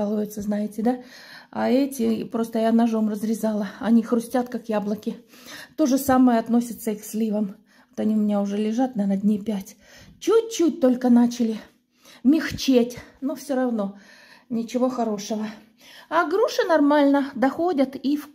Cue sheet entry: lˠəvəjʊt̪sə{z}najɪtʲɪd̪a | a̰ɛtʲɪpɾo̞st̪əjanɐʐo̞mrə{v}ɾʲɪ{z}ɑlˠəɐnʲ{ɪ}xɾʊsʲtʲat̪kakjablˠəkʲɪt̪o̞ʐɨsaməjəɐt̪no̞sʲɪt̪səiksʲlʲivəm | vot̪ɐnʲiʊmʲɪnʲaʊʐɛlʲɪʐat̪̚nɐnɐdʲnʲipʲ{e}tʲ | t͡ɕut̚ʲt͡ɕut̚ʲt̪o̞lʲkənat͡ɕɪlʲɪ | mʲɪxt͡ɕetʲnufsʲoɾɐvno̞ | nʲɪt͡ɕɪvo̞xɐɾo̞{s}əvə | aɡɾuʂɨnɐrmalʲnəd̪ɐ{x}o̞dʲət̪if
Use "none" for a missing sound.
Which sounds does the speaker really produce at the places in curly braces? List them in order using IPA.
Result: z, z, z, i, æ, ʂ, x

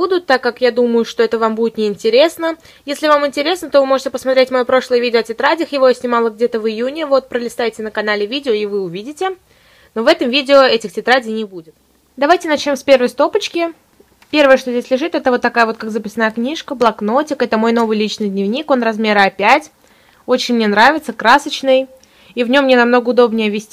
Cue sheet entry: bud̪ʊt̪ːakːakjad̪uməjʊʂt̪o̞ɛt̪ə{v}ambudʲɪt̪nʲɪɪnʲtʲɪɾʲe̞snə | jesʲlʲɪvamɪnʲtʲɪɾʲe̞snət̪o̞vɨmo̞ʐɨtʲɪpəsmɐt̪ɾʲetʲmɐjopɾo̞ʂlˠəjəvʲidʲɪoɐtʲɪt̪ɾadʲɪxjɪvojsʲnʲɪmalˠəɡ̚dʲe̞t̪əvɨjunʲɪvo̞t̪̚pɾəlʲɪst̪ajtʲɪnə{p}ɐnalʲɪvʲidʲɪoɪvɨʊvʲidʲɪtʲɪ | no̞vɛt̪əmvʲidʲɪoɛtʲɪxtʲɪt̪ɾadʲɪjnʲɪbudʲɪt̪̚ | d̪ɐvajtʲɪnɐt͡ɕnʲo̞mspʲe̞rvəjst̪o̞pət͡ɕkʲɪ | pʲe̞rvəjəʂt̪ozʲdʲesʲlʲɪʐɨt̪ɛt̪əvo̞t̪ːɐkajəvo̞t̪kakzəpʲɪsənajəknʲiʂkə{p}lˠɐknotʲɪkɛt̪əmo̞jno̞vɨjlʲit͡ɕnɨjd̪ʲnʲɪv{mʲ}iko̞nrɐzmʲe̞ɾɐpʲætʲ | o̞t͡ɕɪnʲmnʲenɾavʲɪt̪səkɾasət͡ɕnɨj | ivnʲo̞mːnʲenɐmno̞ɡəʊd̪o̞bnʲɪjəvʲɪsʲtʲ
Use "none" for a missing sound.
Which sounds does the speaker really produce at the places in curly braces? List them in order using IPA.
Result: v, k, b, nʲ

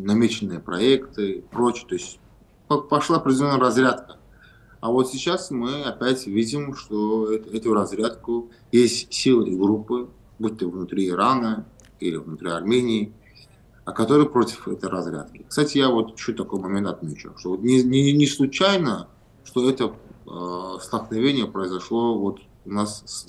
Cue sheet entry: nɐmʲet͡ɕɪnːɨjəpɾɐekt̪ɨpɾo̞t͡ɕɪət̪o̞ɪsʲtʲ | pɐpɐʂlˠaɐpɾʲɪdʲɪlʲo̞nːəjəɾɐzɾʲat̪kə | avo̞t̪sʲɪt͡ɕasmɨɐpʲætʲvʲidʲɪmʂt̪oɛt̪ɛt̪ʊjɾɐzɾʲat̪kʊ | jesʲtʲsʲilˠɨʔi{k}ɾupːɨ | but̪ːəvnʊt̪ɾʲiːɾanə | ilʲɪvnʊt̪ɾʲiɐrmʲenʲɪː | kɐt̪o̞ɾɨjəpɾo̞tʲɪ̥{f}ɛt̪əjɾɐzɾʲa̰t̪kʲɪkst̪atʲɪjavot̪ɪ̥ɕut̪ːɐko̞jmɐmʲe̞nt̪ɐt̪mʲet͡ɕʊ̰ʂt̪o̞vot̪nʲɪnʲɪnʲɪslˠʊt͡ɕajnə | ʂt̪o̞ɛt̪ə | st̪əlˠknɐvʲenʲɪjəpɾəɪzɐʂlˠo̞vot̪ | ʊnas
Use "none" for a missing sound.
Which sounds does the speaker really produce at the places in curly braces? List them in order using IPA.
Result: ɡ, f

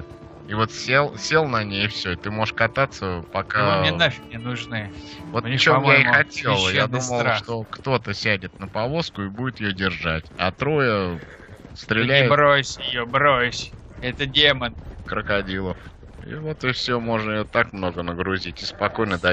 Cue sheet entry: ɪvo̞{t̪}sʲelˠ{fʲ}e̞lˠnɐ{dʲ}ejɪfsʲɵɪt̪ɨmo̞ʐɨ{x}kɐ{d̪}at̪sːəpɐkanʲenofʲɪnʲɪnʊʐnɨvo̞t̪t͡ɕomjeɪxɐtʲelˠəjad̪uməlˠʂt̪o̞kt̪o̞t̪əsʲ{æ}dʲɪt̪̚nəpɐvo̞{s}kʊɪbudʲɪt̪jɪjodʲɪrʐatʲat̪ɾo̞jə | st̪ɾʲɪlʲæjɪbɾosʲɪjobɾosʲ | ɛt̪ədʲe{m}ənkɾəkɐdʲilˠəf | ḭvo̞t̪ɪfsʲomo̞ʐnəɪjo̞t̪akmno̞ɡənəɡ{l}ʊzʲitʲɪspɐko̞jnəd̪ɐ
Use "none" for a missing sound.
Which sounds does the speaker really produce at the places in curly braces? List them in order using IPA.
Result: t̪, sʲ, nʲ, ʂ, t̪, æ, s, m, ɾ

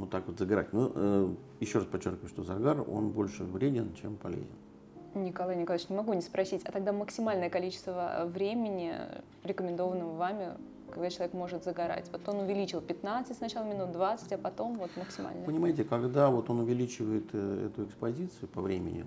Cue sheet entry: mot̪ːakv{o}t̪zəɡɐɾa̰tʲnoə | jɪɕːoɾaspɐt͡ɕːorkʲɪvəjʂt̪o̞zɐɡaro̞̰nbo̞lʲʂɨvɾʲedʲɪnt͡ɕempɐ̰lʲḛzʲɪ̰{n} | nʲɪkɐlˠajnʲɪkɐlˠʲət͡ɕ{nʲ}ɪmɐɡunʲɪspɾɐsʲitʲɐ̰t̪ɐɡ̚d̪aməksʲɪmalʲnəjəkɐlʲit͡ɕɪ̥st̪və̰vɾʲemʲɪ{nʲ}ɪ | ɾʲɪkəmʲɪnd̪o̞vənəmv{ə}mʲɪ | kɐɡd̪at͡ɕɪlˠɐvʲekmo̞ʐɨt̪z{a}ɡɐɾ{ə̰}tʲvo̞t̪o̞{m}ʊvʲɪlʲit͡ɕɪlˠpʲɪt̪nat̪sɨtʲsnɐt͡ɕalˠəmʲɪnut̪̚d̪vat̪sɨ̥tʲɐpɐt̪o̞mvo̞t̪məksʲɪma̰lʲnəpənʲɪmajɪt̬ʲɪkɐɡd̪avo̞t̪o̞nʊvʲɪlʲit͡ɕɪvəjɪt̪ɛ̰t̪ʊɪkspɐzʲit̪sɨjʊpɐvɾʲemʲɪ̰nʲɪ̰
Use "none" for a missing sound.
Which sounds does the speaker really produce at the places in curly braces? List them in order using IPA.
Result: o, n, nʲ, nʲ, a, ə, a̰, n

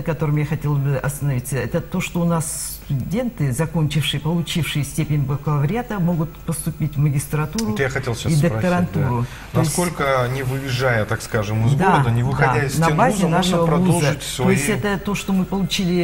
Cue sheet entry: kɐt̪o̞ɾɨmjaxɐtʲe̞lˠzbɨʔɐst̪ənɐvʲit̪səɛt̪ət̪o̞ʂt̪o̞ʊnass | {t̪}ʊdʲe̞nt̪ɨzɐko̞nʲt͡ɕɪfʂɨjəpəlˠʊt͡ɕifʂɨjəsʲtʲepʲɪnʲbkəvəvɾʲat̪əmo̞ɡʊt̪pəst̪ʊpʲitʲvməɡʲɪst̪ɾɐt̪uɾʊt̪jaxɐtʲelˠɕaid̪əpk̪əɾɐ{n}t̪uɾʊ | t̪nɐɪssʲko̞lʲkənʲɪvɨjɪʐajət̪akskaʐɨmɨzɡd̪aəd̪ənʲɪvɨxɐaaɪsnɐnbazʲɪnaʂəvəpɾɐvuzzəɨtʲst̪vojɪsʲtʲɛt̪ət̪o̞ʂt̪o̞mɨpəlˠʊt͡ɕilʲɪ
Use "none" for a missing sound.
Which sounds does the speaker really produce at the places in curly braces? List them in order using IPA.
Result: t̪, n

